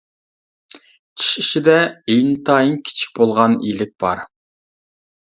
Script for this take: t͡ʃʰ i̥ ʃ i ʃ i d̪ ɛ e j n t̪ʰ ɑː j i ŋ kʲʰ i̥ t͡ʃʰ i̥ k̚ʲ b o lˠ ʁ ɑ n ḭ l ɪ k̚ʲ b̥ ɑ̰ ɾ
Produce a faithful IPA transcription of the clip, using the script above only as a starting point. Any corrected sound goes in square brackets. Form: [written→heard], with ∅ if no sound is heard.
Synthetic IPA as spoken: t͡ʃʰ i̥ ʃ i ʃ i d̪ ɛ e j n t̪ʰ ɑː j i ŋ kʲʰ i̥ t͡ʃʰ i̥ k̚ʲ b o lˠ ʁ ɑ n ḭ l ɪ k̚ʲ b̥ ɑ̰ ɾ